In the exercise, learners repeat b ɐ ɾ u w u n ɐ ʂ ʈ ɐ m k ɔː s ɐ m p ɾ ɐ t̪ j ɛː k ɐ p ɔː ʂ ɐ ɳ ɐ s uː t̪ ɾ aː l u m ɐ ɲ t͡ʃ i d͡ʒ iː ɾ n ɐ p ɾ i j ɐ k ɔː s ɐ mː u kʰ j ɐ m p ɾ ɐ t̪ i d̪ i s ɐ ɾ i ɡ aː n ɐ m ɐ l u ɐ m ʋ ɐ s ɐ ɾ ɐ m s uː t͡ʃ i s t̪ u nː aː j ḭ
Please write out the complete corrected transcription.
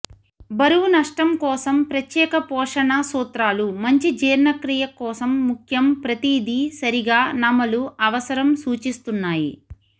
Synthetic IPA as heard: b ɐ ɾ u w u n ɐ ʂ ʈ ɐ m k ɔː s ɐ m p ɾ ɐ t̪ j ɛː k ɐ p ɔː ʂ ɐ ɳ ɐ s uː t̪ ɾ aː l u m ɐ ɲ t͡ʃ i d͡ʒ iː ɾ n ɐ k ɾ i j ɐ k ɔː s ɐ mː u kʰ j ɐ m p ɾ ɐ t̪ i d̪ i s ɐ ɾ i ɡ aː n ɐ m ɐ l u ɐ ʋ ɐ s ɐ ɾ ɐ m s uː t͡ʃ i s t̪ u nː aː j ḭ